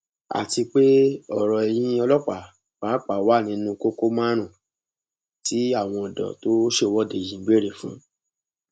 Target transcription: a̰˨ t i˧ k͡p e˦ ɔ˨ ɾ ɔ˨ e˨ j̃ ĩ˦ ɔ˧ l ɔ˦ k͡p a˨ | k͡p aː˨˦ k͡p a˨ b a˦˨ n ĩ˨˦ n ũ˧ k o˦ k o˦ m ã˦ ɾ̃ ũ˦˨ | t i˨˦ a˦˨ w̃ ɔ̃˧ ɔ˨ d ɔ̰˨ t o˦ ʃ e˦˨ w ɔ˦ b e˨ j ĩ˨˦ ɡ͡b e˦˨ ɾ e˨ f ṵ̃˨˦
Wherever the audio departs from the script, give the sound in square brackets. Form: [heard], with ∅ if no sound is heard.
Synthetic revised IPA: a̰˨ t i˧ k͡p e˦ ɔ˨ ɾ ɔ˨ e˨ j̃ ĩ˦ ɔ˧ l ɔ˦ k͡p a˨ | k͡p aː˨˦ k͡p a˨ [w] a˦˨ n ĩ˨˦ n ũ˧ k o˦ k o˦ m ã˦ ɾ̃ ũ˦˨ | t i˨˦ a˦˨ w̃ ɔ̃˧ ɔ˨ d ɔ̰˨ t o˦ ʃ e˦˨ w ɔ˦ [d] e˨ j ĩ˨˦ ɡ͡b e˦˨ ɾ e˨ f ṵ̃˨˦